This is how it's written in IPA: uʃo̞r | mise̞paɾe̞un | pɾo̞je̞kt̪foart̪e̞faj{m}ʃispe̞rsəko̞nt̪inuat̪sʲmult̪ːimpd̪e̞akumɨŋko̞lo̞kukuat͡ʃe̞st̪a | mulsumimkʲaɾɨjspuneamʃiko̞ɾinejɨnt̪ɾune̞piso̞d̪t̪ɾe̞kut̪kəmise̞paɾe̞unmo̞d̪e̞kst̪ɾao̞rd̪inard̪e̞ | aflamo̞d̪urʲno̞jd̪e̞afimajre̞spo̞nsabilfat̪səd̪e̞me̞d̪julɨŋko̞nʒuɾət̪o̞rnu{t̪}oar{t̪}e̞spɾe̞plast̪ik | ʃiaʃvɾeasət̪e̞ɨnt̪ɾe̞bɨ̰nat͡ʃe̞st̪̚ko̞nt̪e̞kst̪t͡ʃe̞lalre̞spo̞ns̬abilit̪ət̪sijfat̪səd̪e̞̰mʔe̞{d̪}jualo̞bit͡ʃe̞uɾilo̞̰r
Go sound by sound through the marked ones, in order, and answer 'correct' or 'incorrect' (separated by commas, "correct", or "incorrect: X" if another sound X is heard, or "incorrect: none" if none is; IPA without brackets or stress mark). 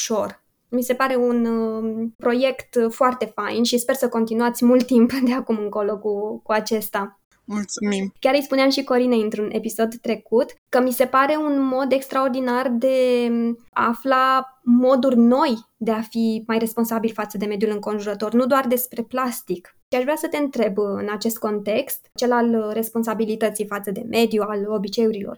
incorrect: n, incorrect: d̪, incorrect: d̪, correct